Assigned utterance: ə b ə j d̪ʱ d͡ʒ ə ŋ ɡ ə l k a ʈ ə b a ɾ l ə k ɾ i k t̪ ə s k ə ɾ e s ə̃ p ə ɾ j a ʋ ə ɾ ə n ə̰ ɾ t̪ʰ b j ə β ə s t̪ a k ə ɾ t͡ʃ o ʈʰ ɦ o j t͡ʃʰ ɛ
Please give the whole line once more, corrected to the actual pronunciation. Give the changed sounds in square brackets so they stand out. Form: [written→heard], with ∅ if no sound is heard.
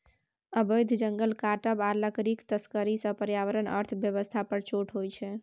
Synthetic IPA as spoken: ə b ə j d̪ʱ d͡ʒ ə ŋ ɡ ə l k a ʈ ə b a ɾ l ə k ɾ i k t̪ ə s k ə ɾ [e→i] s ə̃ p ə ɾ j a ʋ ə ɾ ə n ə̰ ɾ t̪ʰ b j ə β ə s [t̪→t̪ʰ] a [k→p] ə ɾ t͡ʃ o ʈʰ ɦ o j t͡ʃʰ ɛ